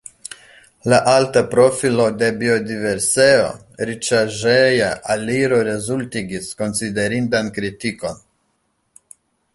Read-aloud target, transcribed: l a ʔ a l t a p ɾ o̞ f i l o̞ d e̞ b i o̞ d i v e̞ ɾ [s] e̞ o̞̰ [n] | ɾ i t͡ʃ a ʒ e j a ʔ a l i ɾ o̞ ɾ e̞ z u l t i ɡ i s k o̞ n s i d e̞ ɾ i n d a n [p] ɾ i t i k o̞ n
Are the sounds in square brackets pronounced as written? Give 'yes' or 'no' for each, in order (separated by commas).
yes, no, no